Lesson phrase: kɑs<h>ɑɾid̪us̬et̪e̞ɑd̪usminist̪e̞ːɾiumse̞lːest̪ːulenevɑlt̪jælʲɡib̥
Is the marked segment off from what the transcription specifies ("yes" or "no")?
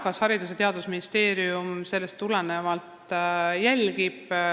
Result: no